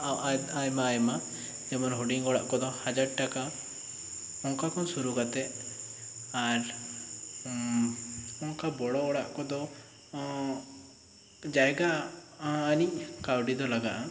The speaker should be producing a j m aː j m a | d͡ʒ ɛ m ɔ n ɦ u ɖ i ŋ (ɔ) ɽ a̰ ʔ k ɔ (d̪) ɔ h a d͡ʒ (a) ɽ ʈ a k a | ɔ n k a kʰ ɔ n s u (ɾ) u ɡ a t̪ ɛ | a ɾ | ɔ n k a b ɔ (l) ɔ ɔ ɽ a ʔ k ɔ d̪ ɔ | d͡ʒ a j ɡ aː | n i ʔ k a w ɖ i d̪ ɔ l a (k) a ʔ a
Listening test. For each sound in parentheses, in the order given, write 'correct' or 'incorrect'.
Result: correct, correct, correct, correct, incorrect: ɽ, incorrect: ɡ

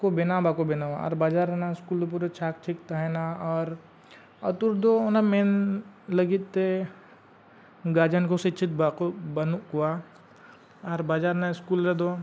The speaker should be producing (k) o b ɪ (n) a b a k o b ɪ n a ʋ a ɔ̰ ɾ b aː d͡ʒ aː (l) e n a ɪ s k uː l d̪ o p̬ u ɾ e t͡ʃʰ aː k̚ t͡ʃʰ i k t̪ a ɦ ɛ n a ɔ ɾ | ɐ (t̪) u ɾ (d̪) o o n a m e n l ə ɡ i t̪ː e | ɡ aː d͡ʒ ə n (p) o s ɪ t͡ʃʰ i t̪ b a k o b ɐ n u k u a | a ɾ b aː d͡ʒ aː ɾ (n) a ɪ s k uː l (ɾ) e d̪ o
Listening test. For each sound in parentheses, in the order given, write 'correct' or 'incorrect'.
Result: correct, correct, incorrect: ɾ, correct, correct, incorrect: k, correct, correct

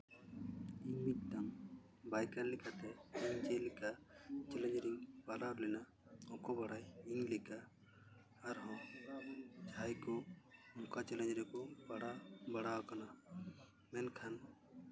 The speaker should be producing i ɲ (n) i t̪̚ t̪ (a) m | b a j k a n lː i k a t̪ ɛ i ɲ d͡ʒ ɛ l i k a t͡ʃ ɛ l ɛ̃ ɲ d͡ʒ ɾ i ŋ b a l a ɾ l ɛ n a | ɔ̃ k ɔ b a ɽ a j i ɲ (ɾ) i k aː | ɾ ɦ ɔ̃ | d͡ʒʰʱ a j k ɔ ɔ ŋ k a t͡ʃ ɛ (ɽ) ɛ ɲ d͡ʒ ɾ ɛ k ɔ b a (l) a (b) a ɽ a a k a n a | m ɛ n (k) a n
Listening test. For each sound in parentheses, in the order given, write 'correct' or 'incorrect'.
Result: incorrect: m, correct, incorrect: l, incorrect: l, incorrect: ɽ, correct, incorrect: kʰ

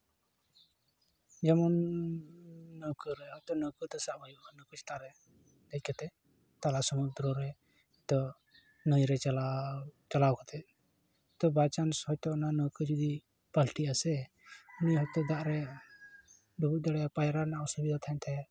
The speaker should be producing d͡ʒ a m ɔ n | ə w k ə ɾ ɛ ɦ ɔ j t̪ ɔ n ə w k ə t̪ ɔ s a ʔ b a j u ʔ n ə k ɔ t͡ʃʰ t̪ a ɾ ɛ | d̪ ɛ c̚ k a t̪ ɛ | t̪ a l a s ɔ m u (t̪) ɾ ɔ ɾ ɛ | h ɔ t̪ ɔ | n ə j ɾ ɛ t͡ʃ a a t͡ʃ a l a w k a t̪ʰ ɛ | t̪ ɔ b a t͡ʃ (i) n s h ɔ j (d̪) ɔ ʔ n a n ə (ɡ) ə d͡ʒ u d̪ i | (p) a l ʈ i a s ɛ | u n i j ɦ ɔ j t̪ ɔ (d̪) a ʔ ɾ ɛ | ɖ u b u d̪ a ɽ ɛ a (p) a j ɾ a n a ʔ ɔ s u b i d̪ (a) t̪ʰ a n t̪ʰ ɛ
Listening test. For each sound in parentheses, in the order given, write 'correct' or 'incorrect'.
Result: incorrect: d̪, incorrect: a, incorrect: t̪, incorrect: k, correct, correct, correct, correct

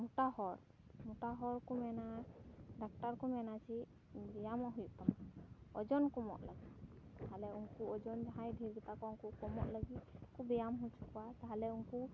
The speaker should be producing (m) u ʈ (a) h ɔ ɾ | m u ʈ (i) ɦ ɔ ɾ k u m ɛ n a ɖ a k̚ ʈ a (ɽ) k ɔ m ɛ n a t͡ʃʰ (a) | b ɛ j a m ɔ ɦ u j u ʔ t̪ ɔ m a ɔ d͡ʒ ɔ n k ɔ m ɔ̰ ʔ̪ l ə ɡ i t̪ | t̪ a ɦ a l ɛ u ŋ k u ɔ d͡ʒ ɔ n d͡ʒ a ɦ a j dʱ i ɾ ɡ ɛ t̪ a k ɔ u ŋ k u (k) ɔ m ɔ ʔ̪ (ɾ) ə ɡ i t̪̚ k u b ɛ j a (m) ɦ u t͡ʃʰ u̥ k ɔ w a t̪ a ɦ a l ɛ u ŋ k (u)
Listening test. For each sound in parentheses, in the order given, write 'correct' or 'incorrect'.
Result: correct, correct, incorrect: a, incorrect: ɾ, incorrect: i, correct, incorrect: l, correct, correct

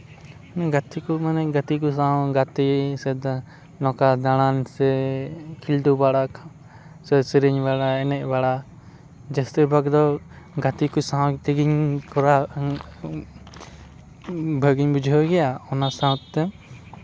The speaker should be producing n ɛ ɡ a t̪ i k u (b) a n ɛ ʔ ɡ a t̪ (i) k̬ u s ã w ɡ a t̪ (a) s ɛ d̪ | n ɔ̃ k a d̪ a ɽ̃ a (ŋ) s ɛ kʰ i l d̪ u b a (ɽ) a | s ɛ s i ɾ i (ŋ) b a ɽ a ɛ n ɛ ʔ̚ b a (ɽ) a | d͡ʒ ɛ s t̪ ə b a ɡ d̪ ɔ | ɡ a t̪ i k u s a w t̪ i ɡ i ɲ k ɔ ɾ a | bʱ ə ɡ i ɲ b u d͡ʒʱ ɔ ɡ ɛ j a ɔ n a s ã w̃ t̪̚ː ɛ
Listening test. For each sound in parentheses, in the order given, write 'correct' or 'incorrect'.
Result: incorrect: m, correct, incorrect: i, incorrect: n, correct, incorrect: ɲ, correct

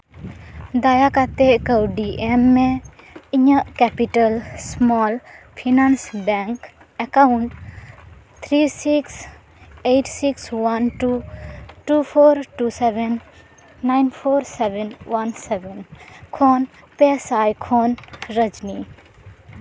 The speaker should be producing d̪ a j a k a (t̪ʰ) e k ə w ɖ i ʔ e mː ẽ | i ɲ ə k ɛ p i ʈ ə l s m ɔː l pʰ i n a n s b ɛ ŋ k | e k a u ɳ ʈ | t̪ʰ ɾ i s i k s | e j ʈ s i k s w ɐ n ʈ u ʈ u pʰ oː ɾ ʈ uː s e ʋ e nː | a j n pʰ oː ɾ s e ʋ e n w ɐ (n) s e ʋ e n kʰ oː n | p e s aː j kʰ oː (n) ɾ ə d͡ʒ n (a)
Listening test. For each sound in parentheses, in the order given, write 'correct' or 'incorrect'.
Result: incorrect: t̪, correct, correct, incorrect: i

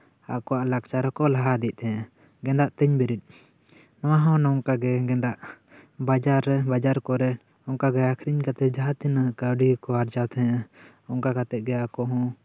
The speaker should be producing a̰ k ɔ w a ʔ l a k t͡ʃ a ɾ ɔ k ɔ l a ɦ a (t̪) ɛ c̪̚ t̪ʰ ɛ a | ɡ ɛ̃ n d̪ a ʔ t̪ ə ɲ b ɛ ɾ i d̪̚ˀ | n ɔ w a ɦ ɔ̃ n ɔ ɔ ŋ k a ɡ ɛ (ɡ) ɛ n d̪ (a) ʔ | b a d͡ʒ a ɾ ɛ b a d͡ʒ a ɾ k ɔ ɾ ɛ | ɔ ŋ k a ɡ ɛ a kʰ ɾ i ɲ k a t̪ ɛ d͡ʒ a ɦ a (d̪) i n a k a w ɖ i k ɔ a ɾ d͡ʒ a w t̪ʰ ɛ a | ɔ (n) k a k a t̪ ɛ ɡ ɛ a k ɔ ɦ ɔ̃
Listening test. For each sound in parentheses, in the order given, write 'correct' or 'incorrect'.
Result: incorrect: d̪, correct, correct, incorrect: t̪, incorrect: ŋ

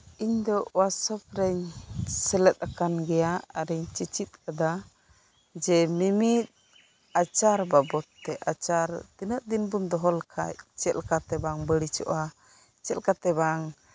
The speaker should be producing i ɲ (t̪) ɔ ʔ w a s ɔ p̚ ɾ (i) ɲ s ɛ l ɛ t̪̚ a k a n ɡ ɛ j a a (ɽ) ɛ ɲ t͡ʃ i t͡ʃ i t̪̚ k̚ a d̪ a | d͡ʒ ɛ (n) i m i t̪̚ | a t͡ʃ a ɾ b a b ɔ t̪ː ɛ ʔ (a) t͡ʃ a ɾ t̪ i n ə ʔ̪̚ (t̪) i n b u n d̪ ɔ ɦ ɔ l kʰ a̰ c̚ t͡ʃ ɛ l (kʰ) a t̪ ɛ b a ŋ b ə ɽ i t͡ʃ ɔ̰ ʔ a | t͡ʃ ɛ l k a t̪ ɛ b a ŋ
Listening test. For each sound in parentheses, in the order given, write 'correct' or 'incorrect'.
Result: incorrect: d̪, incorrect: ɛ, incorrect: ɾ, incorrect: m, correct, incorrect: d̪, incorrect: k

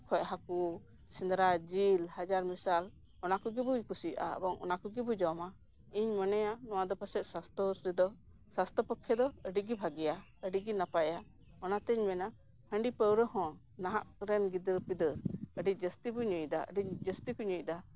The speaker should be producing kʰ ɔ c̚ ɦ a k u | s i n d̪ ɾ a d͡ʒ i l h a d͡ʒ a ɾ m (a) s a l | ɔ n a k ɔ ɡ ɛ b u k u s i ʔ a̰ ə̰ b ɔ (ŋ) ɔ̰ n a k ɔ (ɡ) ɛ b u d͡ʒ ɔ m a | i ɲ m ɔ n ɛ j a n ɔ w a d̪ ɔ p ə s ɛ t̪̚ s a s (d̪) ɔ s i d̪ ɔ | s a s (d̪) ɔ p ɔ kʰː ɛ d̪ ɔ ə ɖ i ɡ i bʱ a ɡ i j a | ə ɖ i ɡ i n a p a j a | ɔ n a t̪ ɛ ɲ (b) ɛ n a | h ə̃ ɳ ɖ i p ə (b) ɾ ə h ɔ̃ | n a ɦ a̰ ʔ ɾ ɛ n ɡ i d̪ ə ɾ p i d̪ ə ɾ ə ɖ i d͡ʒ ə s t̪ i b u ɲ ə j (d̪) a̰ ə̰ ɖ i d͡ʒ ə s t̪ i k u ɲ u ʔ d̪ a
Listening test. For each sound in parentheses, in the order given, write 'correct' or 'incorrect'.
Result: incorrect: i, correct, correct, incorrect: t̪, incorrect: t̪, incorrect: m, incorrect: w, correct

